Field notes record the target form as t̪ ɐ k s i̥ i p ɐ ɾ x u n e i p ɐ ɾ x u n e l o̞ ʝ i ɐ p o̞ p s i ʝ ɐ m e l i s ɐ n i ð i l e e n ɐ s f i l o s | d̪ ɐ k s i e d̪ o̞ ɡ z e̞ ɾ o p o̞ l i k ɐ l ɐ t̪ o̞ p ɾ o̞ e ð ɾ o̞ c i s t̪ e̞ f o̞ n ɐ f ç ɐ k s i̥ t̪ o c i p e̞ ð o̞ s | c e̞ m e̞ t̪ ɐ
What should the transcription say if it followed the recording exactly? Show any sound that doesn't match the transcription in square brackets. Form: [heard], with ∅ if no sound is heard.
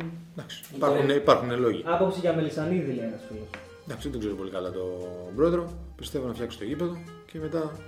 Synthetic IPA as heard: [d̪] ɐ k s i̥ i p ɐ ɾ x u n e i p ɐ ɾ x u n e l o̞ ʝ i ɐ p o̞ p s i ʝ ɐ m e l i s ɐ n i ð i l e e n ɐ s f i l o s | d̪ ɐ k s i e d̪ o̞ ɡ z e̞ ɾ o p o̞ l i k ɐ l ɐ t̪ o̞ [b] ɾ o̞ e ð ɾ o̞ [p] i s t̪ e̞ [v] o̞ n ɐ f ç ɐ k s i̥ t̪ o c i p e̞ ð o̞ [∅] | c e̞ m e̞ t̪ ɐ